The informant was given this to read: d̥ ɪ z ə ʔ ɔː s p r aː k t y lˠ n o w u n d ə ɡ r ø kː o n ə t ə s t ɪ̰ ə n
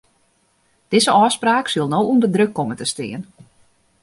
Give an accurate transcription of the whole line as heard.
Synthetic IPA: d̥ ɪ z ə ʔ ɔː s p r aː k s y lˠ n o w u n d ə d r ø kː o m ə t ə s t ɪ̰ ə n

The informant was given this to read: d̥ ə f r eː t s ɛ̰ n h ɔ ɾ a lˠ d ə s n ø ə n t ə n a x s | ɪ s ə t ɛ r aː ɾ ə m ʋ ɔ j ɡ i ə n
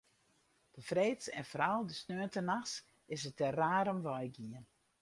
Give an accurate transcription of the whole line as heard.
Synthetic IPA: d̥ ə f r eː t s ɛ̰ n f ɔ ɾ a lˠ d ə s n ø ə n t ə n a x s | ɪ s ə t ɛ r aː ɾ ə m ʋ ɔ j ɡ i ə n

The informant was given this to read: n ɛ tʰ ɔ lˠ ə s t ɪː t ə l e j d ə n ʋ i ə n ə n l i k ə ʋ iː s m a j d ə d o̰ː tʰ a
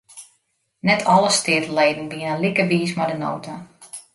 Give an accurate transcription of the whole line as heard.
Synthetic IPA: n ɛ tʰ ɔ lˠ ə s t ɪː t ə l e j d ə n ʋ i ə n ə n l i k ə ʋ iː s m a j d ə n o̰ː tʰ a

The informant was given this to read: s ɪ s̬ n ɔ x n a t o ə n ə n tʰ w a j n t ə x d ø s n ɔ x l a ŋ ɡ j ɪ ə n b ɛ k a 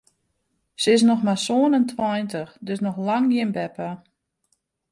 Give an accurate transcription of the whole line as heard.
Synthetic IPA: s ɪ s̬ n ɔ x m a s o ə n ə n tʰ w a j n t ə x d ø s n ɔ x l a ŋ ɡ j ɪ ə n b ɛ p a

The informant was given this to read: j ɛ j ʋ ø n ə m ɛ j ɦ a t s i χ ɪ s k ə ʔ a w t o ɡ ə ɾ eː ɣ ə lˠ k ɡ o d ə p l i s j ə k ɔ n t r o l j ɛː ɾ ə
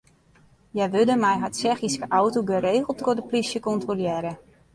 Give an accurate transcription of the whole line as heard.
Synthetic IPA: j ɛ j ʋ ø d ə m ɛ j ɦ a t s ɛ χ i s k ə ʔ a w t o ɡ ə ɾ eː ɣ ə lˠ t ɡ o d ə p l i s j ə k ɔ n t r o l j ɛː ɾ ə

